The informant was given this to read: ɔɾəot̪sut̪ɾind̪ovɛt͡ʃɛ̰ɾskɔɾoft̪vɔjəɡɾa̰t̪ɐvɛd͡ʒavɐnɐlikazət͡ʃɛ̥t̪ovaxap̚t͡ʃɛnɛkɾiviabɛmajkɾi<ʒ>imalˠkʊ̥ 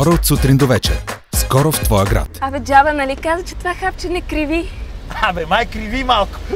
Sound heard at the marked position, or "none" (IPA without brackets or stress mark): v